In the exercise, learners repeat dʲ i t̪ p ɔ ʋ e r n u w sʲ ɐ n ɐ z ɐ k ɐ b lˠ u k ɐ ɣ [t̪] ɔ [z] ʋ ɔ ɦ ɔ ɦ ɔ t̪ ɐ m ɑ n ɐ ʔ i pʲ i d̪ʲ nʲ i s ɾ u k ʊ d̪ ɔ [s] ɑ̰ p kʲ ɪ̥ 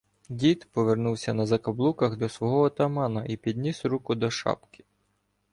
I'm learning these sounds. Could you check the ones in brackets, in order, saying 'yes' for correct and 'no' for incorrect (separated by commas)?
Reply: no, no, no